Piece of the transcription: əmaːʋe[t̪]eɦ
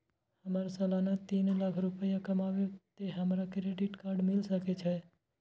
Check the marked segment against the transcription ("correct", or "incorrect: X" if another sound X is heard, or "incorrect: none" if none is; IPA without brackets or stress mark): correct